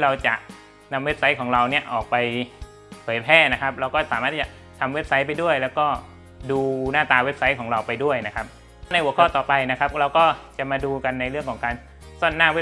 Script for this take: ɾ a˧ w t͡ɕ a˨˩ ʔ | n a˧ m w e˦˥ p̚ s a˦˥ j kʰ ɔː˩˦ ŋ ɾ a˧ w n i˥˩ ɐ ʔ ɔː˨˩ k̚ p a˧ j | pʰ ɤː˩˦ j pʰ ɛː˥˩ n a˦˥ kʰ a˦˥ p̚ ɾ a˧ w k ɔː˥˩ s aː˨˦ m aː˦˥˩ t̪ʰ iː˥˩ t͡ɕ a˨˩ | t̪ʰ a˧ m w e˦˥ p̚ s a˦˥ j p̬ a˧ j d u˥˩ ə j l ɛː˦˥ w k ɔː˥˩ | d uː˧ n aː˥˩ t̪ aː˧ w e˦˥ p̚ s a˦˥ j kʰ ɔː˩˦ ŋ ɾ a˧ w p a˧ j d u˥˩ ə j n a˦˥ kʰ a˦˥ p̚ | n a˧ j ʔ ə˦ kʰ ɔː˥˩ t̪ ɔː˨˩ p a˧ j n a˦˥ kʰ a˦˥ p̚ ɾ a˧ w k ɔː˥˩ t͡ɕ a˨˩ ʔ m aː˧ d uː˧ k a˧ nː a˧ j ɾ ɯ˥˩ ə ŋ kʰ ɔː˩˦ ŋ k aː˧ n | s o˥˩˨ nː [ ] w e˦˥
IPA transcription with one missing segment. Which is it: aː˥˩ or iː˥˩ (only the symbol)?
aː˥˩